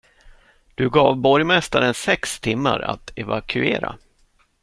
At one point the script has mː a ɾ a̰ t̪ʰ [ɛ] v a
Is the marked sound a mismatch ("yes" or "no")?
no